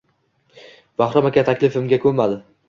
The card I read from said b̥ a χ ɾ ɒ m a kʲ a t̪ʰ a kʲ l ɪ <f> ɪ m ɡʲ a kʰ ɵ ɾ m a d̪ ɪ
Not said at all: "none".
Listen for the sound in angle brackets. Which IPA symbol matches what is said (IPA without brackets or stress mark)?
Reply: f